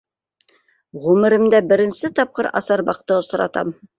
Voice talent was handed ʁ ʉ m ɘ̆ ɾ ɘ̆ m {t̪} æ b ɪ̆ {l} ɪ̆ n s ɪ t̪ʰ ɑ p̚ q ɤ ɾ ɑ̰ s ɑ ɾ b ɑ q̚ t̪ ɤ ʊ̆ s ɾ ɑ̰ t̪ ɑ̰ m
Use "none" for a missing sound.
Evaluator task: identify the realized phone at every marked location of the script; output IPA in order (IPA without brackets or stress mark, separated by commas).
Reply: d̪, ɾ